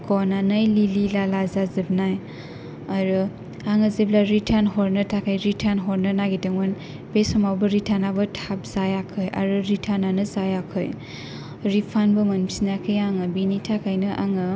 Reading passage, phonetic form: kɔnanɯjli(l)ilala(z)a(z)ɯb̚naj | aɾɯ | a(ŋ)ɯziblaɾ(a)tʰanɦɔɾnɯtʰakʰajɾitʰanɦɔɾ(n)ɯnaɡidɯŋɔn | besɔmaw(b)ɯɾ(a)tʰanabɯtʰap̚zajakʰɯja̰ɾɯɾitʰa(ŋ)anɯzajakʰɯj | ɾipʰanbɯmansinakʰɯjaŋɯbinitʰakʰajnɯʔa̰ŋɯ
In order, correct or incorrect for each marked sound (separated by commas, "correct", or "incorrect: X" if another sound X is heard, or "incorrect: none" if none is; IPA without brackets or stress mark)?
correct, correct, correct, correct, incorrect: i, correct, correct, incorrect: i, incorrect: n